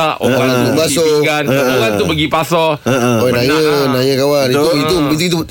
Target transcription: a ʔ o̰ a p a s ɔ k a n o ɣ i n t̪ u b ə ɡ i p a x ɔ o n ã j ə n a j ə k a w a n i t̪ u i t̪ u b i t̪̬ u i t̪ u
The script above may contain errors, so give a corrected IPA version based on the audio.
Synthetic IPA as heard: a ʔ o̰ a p a s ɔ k a n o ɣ a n t̪ u b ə ɡ i p a s ɔ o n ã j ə n a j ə k a w a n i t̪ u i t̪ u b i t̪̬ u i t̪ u